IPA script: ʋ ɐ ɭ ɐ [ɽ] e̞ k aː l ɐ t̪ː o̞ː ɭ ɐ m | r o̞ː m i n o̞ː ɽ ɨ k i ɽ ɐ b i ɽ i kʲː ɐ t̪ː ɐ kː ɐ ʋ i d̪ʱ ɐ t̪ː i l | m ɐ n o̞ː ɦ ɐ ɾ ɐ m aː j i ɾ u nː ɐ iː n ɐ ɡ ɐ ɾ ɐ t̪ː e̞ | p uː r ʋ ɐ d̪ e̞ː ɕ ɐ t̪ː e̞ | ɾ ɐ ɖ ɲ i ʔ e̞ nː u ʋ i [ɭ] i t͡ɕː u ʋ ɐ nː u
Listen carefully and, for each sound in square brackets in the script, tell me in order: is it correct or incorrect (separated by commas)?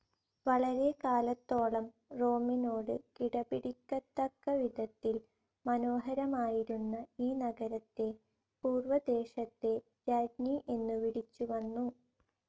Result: incorrect, incorrect